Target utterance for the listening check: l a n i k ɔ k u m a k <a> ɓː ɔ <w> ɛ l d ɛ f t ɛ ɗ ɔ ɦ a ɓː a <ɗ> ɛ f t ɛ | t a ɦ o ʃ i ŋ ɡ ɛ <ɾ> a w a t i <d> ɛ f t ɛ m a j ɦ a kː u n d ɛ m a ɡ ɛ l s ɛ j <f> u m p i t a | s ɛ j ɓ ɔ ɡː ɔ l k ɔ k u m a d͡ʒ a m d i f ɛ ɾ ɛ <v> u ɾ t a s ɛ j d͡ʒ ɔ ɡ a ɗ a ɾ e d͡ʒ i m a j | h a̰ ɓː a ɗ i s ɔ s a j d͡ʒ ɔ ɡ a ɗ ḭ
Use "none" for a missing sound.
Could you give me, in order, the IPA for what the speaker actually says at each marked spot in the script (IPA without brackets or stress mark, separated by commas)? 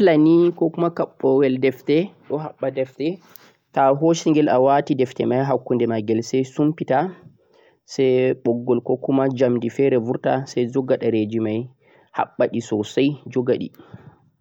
a, w, d, l, d, s, v